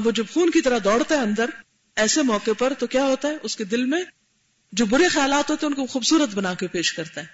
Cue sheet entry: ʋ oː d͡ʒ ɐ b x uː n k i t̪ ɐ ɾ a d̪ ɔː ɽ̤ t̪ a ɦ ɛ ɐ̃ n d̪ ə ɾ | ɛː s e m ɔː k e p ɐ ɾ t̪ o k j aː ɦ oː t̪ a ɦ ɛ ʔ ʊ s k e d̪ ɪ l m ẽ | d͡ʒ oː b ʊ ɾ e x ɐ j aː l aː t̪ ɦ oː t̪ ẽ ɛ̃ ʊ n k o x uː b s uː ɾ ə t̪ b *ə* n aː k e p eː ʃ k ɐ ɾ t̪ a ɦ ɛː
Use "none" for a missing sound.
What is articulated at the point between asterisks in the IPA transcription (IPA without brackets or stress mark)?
ɐ